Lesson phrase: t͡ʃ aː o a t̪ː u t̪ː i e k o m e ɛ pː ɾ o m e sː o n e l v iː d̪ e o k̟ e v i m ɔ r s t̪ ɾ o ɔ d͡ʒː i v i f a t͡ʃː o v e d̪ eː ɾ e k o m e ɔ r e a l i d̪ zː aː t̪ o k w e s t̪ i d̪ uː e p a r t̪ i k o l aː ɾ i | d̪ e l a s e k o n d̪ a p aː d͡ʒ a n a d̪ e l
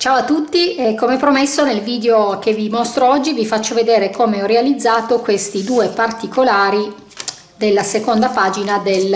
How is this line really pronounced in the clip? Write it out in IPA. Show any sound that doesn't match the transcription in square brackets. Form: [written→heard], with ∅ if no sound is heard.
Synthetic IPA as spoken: t͡ʃ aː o a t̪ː u t̪ː i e k o m e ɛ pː ɾ o m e sː o n e l v iː d̪ e o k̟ e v i m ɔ [r→∅] s t̪ ɾ o ɔ d͡ʒː i v i f a t͡ʃː o v e d̪ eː ɾ e k o m e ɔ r e a l i d̪ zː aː t̪ o k w e s t̪ i d̪ uː e p a r t̪ i k o l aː ɾ i | d̪ e [l→lː] a s e k o n d̪ a p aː d͡ʒ [a→i] n a d̪ e l